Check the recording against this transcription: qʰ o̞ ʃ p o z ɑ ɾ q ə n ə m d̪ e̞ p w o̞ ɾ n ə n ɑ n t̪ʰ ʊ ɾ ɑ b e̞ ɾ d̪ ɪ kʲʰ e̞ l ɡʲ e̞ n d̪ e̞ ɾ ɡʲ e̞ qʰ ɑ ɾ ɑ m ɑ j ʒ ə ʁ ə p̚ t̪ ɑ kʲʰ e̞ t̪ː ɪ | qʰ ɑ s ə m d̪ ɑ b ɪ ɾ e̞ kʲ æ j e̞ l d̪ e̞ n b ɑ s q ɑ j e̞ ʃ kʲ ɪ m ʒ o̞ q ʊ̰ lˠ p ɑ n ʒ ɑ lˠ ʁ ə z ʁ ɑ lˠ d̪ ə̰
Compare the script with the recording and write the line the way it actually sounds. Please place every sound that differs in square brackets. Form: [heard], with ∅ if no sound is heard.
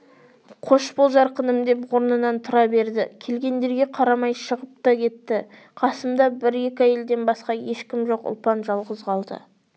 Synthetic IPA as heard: qʰ o̞ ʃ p o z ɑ ɾ q ə n ə m d̪ e̞ p w o̞ ɾ n ə n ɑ n t̪ʰ ʊ ɾ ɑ b e̞ ɾ d̪ ɪ kʲʰ e̞ l ɡʲ e̞ n d̪ e̞ ɾ ɡʲ e̞ qʰ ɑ ɾ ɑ m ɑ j [ʃ] ə ʁ ə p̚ t̪ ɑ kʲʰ e̞ t̪ː ɪ | qʰ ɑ s ə m d̪ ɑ b ɪ ɾ e̞ kʲ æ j e̞ l d̪ e̞ n b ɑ s q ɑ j e̞ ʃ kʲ ɪ m ʒ o̞ q ʊ̰ lˠ p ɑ n ʒ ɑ lˠ ʁ ə z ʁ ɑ lˠ d̪ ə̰

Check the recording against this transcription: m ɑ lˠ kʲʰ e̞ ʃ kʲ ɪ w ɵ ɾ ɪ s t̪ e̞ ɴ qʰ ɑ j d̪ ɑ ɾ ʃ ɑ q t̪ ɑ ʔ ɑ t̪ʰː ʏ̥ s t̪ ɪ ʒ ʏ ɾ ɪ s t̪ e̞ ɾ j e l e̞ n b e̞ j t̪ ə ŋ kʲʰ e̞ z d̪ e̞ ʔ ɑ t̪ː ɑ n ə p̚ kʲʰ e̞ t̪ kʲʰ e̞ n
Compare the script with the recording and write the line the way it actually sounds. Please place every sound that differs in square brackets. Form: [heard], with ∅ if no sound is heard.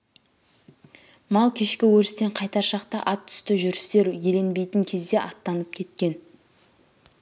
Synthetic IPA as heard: m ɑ lˠ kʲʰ e̞ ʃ kʲ ɪ w ɵ ɾ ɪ s t̪ e̞ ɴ qʰ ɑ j [t̪] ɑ ɾ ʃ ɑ q t̪ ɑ ʔ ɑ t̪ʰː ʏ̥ s t̪ ɪ ʒ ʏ ɾ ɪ s t̪ e̞ ɾ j e l e̞ n b e̞ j t̪ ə ŋ kʲʰ e̞ z d̪ e̞ ʔ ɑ t̪ː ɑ n ə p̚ kʲʰ e̞ t̪ [kʲ] e̞ n

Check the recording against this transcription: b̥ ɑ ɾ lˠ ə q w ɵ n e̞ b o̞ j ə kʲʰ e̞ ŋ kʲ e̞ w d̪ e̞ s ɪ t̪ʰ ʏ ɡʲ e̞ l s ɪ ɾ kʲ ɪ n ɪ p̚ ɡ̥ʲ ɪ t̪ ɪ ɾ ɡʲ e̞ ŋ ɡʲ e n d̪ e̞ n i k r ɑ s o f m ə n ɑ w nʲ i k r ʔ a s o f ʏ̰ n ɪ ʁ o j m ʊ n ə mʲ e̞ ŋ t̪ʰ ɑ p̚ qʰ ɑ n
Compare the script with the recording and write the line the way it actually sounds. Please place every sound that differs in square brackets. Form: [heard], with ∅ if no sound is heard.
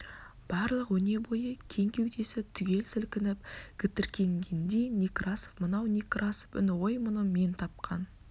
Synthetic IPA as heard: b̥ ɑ ɾ lˠ ə q w ɵ n e̞ b o̞ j ə kʲʰ e̞ ŋ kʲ e̞ w d̪ e̞ s ɪ t̪ʰ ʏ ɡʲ e̞ l s ɪ [l] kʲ ɪ n ɪ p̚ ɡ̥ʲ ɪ t̪ ɪ ɾ [kʲ] e̞ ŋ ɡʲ e n d̪ e̞ n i k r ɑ s o f m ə n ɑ w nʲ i k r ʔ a s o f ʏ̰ n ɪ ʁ o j m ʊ n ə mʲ e̞ [n] t̪ʰ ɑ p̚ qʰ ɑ n

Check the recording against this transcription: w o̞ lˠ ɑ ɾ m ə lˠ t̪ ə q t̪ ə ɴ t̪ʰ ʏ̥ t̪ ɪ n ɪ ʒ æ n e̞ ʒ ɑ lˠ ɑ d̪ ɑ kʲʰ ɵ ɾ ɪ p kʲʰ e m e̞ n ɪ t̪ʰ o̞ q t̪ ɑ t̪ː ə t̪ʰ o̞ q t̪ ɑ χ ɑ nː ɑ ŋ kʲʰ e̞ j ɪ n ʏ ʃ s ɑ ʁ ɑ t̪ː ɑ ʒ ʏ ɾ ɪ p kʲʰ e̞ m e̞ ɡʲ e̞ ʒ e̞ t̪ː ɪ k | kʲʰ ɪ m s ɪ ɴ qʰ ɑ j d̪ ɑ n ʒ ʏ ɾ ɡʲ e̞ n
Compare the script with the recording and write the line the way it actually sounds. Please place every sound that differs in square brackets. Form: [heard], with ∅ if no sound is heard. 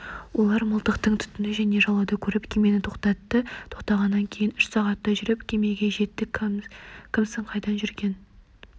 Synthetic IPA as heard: w o̞ lˠ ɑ ɾ m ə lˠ t̪ ə q t̪ ə ɴ t̪ʰ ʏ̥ t̪ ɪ n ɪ ʒ æ n e̞ ʒ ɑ lˠ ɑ d̪ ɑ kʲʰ ɵ ɾ ɪ p kʲʰ e m e̞ n ɪ t̪ʰ o̞ q t̪ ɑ t̪ː ə t̪ʰ o̞ q t̪ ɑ [ʁ] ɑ nː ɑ ŋ kʲʰ e̞ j ɪ n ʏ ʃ s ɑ ʁ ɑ t̪ː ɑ ʒ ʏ ɾ ɪ p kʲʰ e̞ m e̞ ɡʲ e̞ ʒ e̞ t̪ː ɪ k | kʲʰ ɪ m s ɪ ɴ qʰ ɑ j d̪ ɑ n ʒ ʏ ɾ ɡʲ e̞ n

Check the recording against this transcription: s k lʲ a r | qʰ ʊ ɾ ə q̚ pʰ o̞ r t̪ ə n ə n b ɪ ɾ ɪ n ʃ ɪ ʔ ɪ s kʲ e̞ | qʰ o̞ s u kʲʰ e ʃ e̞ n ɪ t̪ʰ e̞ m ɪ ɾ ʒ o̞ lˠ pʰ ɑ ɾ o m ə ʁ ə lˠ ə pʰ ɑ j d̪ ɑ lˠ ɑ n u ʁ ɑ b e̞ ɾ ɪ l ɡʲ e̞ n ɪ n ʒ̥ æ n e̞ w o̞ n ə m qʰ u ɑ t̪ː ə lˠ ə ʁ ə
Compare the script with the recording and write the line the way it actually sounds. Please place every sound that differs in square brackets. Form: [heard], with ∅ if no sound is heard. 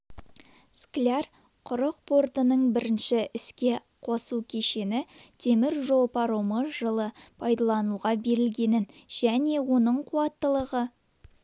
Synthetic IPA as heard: s k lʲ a r | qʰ ʊ ɾ ə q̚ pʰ o̞ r t̪ ə n ə [ɴ] b ɪ ɾ ɪ n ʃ ɪ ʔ ɪ s kʲ e̞ | qʰ o̞ s u kʲʰ e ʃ e̞ n ɪ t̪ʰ e̞ m ɪ ɾ ʒ o̞ lˠ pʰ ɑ ɾ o m ə [ʒ] ə lˠ ə pʰ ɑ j d̪ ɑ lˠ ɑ n u ʁ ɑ b e̞ ɾ ɪ l ɡʲ e̞ n ɪ n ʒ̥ æ n e̞ w o̞ n ə [ɴ] qʰ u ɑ t̪ː ə lˠ ə ʁ ə

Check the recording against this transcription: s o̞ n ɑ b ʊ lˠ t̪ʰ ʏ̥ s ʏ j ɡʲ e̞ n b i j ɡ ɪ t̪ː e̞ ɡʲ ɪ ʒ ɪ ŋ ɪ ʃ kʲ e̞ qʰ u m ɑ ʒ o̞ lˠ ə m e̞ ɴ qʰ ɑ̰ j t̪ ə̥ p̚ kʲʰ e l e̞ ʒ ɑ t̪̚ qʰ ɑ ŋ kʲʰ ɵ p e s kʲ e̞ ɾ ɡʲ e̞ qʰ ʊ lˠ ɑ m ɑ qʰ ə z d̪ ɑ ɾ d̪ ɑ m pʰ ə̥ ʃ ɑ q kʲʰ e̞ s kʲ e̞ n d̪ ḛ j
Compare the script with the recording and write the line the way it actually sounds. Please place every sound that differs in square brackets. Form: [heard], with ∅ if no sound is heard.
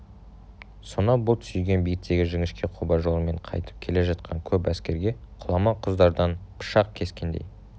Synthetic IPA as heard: s o̞ n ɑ b ʊ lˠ t̪ʰ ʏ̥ s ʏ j ɡʲ e̞ n b i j ɡ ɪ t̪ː e̞ ɡʲ ɪ ʒ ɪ ŋ ɪ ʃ kʲ e̞ qʰ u [b] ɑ ʒ o̞ lˠ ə m e̞ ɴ qʰ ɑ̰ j t̪ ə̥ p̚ kʲʰ e l e̞ ʒ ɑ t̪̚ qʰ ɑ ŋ kʲʰ ɵ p [æ] s kʲ e̞ ɾ ɡʲ e̞ qʰ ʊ lˠ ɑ m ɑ qʰ ə z d̪ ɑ ɾ d̪ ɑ [n] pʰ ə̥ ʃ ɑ q kʲʰ e̞ s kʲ e̞ n d̪ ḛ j

